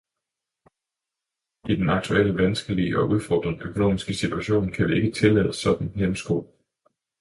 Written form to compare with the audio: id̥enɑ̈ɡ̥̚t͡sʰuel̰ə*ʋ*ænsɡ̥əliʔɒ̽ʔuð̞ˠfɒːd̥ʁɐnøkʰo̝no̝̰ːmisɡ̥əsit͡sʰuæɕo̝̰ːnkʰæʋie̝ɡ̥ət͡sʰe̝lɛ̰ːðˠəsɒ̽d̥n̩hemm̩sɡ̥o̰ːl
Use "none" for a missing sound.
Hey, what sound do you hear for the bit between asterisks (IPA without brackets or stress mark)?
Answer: ʋ